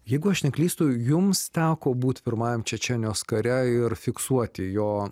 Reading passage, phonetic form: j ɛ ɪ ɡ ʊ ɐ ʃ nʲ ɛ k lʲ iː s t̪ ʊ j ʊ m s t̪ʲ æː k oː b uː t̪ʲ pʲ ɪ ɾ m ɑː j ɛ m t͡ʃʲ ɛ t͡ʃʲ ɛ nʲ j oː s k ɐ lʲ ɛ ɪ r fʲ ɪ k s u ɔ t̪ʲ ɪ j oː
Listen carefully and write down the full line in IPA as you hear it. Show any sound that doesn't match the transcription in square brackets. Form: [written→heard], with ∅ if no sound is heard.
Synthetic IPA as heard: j ɛ ɪ ɡ ʊ ɐ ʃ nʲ ɛ k lʲ iː s t̪ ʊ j ʊ m s t̪ʲ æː k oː b uː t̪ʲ pʲ ɪ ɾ m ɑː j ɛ m t͡ʃʲ ɛ t͡ʃʲ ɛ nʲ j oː s k ɐ [lʲ→ɾʲ] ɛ ɪ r fʲ ɪ k s u ɔ t̪ʲ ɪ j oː